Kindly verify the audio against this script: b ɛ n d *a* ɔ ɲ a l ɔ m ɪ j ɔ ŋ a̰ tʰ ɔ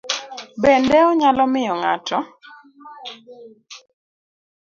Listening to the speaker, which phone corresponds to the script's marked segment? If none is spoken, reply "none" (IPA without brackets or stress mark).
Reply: ɛ